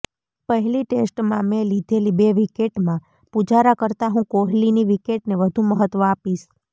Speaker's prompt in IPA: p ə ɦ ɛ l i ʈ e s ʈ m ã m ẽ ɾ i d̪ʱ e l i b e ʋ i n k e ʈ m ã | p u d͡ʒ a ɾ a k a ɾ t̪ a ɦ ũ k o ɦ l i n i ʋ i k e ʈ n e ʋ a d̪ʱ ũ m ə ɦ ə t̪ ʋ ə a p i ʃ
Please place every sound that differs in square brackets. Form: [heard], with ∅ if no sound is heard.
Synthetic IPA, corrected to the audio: p ə ɦ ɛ l i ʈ e s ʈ m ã m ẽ [l] i d̪ʱ e l i b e ʋ i [∅] k e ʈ m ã | p u d͡ʒ a ɾ a k [ə] ɾ t̪ a ɦ ũ k o ɦ l i n i ʋ i k e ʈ n e ʋ [ə] d̪ʱ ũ m ə ɦ ə t̪ ʋ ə a p i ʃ